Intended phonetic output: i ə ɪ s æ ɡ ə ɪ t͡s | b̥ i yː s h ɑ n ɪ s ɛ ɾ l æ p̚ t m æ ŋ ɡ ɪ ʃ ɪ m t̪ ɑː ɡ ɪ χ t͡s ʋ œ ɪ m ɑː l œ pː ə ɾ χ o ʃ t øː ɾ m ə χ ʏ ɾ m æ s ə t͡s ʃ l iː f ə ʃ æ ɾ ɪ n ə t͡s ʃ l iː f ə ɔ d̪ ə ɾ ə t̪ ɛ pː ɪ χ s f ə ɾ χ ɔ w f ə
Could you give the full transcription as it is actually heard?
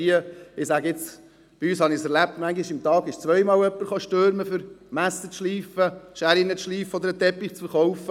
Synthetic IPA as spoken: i ə ɪ s æ ɡ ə ɪ t͡s | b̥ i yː s h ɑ n ɪ s ɛ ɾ l æ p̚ t m æ ŋ ɡ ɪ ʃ ɪ m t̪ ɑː ɡ ɪ ʃ t͡s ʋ œ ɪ m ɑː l œ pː ə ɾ χ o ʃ t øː ɾ m ə f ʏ ɾ m æ s ə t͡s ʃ l iː f ə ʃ æ ɾ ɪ n ə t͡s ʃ l iː f ə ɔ d̪ ə ɾ ə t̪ ɛ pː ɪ χ t͡s f ə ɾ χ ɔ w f ə